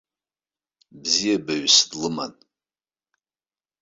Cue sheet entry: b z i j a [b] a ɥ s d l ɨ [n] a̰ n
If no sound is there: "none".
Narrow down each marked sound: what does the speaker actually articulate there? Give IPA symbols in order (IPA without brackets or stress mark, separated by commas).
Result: b, m